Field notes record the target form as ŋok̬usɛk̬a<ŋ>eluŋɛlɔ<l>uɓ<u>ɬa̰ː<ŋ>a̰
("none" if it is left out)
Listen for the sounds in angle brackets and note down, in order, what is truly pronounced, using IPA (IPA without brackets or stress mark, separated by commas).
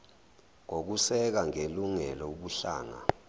ŋ, none, u, ŋ